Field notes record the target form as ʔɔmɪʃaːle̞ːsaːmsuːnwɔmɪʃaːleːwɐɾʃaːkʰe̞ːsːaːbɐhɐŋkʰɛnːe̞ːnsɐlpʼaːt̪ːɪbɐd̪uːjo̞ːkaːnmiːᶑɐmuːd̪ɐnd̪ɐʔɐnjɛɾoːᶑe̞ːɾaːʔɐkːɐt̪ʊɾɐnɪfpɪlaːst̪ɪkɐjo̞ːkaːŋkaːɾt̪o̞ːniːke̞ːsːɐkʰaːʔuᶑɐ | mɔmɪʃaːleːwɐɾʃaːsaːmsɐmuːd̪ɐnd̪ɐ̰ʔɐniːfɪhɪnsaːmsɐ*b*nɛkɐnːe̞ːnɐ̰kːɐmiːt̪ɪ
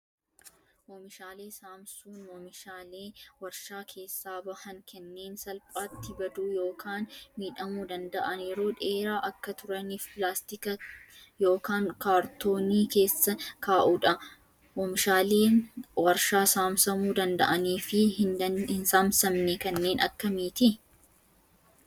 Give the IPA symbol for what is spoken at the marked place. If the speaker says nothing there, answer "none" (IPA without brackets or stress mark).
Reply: m